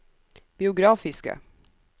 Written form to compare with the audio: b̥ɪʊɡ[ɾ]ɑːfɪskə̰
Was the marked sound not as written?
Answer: no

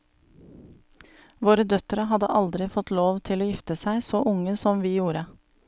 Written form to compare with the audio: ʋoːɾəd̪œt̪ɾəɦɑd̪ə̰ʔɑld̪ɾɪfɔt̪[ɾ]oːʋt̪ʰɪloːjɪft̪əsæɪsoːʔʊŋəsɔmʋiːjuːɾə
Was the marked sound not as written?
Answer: yes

